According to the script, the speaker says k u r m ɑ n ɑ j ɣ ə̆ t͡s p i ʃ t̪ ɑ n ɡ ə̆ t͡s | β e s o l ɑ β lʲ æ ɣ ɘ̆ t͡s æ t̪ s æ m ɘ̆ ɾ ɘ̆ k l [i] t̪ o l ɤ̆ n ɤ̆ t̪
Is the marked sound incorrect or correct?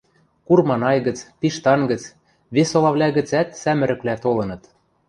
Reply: incorrect